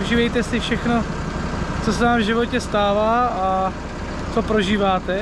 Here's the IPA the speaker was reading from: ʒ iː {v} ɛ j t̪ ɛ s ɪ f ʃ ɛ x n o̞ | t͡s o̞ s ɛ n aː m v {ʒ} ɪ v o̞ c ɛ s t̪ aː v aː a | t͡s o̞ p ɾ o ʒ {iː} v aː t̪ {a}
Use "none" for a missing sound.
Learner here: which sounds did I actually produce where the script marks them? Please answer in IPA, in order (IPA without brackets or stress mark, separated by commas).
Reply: v, ʒ, iː, ɛ